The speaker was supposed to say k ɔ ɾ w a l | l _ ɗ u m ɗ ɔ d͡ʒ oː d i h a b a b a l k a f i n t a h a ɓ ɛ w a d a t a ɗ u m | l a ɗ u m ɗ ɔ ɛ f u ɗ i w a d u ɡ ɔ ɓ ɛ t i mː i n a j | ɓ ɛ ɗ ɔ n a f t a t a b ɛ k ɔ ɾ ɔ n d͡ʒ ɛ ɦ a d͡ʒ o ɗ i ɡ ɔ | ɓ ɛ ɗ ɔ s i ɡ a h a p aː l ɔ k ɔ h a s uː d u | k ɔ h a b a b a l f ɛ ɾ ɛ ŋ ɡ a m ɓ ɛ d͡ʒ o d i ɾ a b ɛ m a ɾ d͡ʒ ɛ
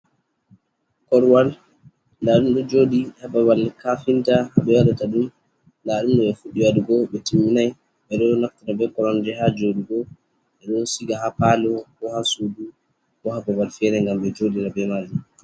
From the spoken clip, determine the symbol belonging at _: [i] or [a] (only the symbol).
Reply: a